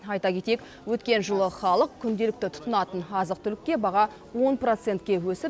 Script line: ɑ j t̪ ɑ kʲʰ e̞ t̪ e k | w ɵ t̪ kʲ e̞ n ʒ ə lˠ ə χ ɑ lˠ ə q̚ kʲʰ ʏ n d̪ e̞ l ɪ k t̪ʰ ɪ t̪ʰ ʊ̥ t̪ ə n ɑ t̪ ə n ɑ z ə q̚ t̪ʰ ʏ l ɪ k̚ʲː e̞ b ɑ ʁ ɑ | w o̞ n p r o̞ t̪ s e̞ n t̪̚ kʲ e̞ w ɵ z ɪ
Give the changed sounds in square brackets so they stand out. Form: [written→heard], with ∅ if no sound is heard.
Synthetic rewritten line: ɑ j t̪ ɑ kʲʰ e̞ t̪ e k | w ɵ t̪ kʲ e̞ n ʒ ə lˠ ə χ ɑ lˠ ə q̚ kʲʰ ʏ n d̪ e̞ l ɪ k [t̪ʰ→t̪] ɪ t̪ʰ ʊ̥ t̪ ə n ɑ t̪ ə n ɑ z ə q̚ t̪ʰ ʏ l ɪ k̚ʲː e̞ b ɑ ʁ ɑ | w o̞ n p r o̞ t̪ s e̞ n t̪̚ kʲ e̞ w ɵ [z→s] ɪ